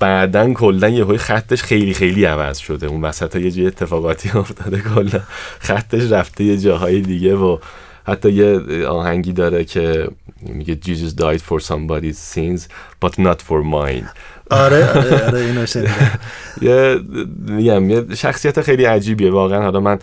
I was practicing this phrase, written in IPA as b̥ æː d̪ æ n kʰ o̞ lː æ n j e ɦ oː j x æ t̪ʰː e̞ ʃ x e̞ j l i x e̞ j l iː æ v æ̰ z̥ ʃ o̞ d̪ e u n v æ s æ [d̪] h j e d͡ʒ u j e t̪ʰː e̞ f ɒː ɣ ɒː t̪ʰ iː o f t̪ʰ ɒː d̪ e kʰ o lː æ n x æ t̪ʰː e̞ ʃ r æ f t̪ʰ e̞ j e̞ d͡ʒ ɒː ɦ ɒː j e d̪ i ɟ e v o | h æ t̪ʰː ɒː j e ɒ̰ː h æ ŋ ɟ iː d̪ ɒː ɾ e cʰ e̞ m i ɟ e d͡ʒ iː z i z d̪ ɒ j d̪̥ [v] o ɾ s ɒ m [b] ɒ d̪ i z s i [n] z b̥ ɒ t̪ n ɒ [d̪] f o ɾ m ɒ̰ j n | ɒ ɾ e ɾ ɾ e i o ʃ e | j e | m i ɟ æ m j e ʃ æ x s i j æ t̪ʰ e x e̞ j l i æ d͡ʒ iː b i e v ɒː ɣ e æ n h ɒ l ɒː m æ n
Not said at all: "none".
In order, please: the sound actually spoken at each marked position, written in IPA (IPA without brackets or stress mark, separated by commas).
t̪, f, b, n, t̪